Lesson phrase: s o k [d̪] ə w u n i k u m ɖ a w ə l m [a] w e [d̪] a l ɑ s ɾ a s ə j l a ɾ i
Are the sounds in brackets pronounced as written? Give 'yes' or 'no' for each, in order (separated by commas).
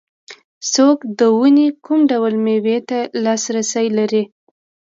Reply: yes, no, no